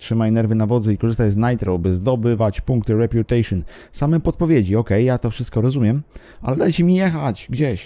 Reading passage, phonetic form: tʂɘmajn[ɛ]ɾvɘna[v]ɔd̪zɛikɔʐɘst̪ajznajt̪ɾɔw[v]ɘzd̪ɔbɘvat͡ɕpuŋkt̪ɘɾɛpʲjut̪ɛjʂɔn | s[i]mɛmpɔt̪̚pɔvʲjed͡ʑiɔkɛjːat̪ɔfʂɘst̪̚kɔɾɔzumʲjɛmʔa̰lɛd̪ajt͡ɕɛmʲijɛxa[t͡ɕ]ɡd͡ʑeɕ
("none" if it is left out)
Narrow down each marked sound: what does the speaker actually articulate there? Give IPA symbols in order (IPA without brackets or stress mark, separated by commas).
ɛ, v, b, a, t͡ɕ